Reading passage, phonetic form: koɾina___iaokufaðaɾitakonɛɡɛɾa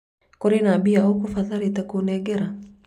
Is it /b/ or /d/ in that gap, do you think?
b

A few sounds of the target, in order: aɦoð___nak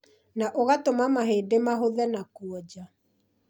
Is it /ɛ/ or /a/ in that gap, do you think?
ɛ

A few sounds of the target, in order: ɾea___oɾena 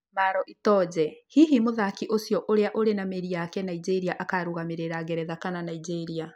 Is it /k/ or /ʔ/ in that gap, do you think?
ʔ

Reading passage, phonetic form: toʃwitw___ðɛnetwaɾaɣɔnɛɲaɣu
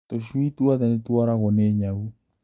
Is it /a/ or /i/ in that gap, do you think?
a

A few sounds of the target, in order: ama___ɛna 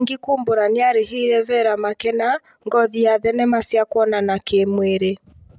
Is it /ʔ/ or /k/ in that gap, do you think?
k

